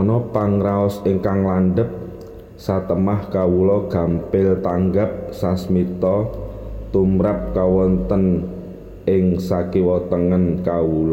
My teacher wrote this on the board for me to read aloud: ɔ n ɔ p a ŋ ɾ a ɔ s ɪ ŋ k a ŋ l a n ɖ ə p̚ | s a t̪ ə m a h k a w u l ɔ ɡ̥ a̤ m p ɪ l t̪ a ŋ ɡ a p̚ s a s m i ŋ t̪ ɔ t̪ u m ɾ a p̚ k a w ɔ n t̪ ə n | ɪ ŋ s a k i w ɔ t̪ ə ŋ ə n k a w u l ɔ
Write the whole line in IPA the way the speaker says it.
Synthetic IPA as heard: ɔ n ɔ p a ŋ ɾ a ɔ s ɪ ŋ k a ŋ l a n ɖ ə p̚ | s a t̪ ə m a h k a w u l ɔ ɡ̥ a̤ m p ɪ l t̪ a ŋ ɡ a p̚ s a s m i t̪ ɔ t̪ u m ɾ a p̚ k a w ɔ n t̪ ə n | ɪ ŋ s a k i w ɔ t̪ ə ŋ ə n k a w u l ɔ